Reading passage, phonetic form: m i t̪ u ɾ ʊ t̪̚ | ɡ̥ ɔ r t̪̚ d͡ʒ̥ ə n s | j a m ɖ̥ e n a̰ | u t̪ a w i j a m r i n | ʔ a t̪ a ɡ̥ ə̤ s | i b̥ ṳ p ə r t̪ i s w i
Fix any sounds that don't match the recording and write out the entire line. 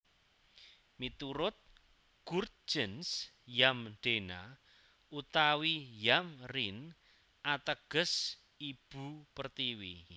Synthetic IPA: m i t̪ u ɾ ʊ t̪̚ | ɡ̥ u r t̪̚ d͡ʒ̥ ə n s | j a m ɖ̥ e n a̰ | u t̪ a w i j a m r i n | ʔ a t̪ ə ɡ̥ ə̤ s | i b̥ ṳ p ə r t̪ i w i